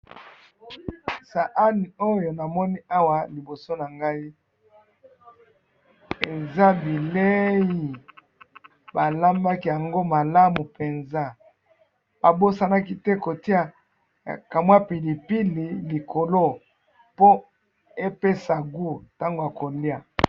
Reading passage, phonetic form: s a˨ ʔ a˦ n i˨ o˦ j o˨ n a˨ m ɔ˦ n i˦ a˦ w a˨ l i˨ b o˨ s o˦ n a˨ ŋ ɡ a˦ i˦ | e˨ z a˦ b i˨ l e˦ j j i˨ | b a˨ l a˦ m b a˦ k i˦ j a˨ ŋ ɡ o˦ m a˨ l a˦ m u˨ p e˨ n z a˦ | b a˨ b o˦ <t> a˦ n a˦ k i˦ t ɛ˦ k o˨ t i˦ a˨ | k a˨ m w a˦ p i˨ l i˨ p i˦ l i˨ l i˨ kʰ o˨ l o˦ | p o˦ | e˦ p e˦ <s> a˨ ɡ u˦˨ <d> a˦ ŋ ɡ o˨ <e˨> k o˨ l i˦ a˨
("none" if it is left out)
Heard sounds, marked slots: s, s, t, a˨

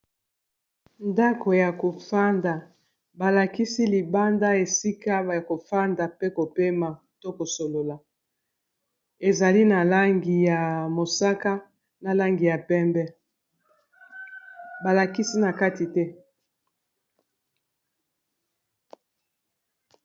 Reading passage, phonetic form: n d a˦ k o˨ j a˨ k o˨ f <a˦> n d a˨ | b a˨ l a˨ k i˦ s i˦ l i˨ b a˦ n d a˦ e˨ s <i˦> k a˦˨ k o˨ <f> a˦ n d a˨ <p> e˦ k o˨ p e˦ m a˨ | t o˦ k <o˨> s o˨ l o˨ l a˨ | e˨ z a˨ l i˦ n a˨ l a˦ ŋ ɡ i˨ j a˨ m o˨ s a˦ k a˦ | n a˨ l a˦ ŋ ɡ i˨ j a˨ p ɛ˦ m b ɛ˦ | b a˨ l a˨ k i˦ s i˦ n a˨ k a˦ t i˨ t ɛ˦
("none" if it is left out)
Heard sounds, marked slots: a˦, i˦, f, p, o˨

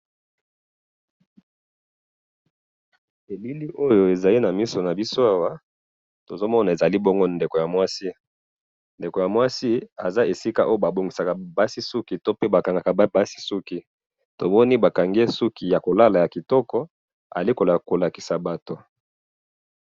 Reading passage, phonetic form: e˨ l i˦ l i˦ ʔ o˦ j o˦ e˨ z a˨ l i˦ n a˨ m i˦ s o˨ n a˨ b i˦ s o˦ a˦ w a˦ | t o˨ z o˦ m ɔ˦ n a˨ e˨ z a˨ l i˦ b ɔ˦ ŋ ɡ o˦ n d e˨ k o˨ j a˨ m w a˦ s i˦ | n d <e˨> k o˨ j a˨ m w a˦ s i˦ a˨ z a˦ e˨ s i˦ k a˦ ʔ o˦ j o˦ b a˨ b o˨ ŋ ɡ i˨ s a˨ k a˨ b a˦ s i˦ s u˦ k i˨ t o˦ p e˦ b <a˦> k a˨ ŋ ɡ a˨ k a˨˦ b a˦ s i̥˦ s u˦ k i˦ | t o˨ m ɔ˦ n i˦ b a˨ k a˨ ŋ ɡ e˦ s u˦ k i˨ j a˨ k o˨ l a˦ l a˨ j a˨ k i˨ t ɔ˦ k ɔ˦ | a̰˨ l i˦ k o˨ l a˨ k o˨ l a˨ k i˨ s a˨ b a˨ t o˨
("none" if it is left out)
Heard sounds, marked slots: e˨, a˨

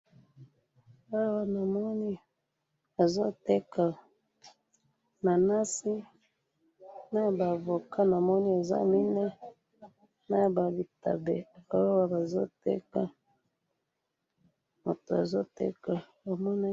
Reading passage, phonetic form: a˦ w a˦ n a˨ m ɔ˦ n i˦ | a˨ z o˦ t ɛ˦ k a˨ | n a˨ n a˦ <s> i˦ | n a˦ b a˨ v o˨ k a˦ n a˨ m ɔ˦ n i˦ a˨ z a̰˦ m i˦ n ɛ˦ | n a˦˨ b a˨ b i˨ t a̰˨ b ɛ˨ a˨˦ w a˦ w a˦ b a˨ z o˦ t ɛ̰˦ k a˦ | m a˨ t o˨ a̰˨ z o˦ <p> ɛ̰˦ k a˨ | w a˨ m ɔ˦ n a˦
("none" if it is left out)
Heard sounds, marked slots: s, t

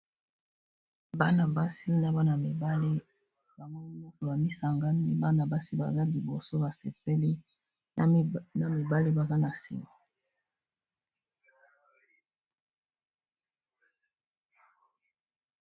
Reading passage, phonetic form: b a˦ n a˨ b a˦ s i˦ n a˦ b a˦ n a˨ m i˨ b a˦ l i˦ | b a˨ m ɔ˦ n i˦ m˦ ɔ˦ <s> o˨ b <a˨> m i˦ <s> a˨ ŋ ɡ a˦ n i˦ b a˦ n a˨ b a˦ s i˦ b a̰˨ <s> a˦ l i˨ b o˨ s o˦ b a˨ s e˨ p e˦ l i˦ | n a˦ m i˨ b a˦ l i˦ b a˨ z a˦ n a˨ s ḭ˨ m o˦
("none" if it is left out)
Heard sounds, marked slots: s, a˨, s, z

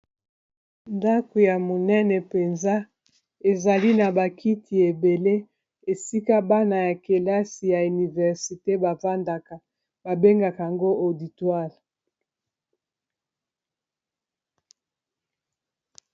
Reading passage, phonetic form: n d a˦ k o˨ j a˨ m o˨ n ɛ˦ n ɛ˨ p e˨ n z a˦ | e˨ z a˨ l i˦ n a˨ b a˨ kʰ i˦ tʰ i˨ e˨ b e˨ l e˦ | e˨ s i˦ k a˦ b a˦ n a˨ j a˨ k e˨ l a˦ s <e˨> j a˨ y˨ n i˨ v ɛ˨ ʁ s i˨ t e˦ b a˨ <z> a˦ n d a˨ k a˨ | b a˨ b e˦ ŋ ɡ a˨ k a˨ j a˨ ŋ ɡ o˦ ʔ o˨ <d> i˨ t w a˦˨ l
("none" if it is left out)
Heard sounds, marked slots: i˨, v, d

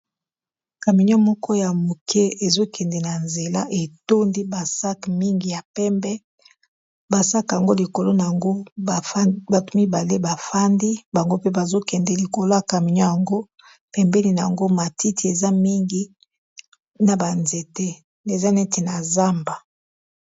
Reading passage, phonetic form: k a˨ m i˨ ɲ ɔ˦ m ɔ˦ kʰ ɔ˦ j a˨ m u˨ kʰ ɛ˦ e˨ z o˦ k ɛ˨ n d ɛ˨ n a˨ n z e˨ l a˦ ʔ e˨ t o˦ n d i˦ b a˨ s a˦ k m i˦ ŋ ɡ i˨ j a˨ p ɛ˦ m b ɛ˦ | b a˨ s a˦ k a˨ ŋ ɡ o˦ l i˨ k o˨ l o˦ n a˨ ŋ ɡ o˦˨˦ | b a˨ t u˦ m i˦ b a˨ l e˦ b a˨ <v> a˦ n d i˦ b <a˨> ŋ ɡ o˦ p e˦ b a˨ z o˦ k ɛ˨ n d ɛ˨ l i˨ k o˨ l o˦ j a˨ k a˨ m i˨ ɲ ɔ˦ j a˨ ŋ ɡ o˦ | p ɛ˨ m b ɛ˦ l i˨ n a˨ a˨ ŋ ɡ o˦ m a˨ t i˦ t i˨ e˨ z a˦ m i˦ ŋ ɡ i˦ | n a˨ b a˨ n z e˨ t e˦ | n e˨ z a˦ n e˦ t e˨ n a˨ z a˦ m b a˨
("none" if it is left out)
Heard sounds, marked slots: f, a˨

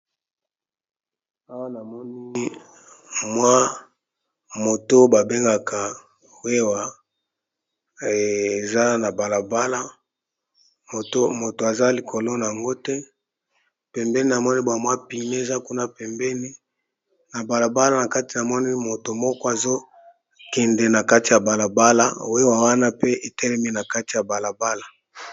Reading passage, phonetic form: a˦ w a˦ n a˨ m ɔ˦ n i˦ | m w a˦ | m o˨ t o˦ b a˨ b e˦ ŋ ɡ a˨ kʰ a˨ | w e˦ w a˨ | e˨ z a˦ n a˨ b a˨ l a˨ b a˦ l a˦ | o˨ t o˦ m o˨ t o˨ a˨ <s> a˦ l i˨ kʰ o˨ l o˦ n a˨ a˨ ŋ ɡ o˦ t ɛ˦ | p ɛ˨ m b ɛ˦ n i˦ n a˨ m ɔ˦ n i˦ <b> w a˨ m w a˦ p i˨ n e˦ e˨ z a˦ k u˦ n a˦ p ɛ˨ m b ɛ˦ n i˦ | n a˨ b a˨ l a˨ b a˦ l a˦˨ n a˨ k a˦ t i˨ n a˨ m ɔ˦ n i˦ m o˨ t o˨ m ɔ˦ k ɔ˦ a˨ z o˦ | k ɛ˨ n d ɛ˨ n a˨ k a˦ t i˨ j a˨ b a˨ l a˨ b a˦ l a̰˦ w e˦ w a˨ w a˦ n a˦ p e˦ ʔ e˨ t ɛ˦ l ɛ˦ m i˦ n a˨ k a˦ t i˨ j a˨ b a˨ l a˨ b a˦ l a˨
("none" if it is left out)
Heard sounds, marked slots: z, b

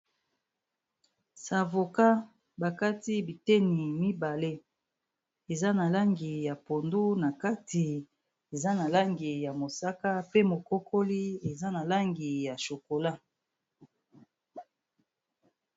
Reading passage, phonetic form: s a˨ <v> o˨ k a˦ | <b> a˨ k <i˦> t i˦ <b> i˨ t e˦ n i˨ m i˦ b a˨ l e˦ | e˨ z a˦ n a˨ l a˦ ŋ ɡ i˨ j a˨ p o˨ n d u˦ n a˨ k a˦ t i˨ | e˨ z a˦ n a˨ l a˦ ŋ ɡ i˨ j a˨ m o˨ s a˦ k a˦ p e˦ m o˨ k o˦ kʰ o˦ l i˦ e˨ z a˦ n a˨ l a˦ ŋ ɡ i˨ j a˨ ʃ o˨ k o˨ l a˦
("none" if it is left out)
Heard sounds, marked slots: v, b, a˦, b

